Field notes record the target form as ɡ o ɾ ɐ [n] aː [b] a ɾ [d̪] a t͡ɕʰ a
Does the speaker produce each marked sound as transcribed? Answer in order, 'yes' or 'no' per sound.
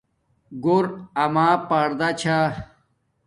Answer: no, no, yes

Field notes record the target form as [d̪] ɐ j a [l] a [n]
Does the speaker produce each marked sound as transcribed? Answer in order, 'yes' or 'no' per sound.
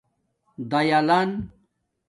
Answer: yes, yes, yes

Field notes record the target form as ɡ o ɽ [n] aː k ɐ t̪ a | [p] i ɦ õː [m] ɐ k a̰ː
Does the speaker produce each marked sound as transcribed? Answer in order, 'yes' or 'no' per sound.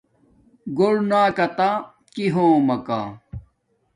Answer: yes, no, yes

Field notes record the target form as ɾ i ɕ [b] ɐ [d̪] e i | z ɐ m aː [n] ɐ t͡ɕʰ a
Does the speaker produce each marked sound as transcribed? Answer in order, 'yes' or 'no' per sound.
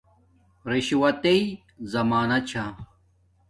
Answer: no, no, yes

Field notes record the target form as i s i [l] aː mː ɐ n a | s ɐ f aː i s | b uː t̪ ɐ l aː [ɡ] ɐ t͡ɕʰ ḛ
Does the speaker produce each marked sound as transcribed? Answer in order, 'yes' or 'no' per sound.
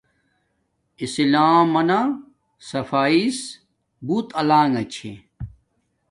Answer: yes, no

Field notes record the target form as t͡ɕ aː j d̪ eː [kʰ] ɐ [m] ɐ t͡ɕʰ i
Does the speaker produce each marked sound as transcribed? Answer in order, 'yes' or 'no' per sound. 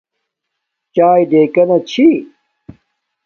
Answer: no, no

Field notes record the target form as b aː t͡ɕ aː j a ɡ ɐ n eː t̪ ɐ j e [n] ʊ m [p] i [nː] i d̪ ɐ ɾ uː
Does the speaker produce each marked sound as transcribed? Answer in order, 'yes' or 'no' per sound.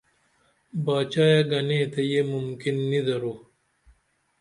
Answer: no, no, yes

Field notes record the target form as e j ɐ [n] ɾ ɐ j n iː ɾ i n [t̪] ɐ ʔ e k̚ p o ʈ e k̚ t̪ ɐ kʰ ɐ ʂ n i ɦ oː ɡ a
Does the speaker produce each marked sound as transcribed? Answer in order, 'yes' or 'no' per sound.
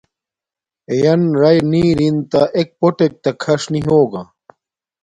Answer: yes, yes

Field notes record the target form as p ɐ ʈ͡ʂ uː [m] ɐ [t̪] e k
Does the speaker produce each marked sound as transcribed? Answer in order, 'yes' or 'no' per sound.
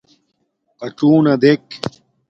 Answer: no, no

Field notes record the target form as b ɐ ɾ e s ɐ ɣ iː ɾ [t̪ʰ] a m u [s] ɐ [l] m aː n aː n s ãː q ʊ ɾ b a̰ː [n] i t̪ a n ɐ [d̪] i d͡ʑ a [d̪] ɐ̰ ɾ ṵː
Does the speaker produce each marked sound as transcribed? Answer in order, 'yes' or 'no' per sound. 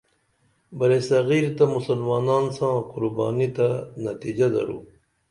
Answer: no, yes, yes, yes, no, yes

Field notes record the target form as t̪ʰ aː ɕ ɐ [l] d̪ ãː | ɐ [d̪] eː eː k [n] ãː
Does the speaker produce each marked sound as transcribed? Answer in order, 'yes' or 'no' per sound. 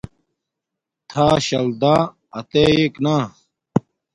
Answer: yes, no, yes

